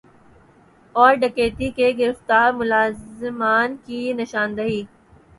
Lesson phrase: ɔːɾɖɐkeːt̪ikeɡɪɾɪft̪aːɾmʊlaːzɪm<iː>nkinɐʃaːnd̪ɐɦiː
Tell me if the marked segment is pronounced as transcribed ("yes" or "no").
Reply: no